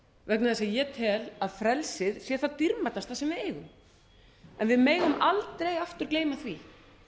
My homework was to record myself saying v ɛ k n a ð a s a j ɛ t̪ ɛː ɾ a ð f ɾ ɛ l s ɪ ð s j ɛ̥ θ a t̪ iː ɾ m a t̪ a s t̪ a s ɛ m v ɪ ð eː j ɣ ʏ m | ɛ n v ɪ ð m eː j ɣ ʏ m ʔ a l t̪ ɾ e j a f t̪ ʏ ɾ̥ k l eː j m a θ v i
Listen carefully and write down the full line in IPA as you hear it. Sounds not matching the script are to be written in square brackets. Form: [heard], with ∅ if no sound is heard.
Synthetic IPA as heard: v ɛ k n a ð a s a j ɛ [t̪ʰ] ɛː [l] a ð f ɾ ɛ l s ɪ ð s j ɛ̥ θ a t̪ [i] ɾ m a t̪ a s t̪ a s ɛ m v ɪ ð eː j ɣ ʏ m | ɛ n v ɪ ð m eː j ɣ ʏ m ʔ a l t̪ ɾ e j a f t̪ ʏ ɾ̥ k l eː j m a θ v i